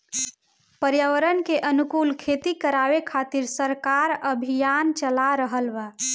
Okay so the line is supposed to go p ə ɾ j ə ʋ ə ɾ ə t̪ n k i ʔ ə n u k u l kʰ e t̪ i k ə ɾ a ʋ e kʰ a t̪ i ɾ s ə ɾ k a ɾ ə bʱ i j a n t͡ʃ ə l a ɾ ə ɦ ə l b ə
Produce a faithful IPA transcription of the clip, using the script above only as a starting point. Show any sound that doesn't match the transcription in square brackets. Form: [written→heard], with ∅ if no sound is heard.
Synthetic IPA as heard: p ə ɾ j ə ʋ ə ɾ ə [t̪→∅] n k [i→e] ʔ ə n u k u l kʰ e t̪ i k ə ɾ a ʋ e kʰ a t̪ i ɾ s ə ɾ k a ɾ ə bʱ i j a n t͡ʃ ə l a ɾ ə ɦ ə l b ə